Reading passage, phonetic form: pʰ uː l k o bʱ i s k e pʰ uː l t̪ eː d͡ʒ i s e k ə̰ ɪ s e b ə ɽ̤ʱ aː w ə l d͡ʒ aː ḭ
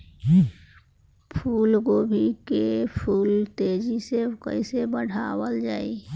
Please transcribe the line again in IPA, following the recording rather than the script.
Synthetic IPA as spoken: pʰ uː l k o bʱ i k e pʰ uː l t̪ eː d͡ʒ i s e k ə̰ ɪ s e b ə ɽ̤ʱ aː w ə l d͡ʒ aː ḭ